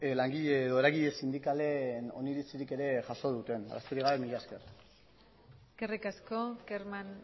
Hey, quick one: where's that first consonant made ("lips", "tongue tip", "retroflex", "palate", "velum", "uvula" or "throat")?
tongue tip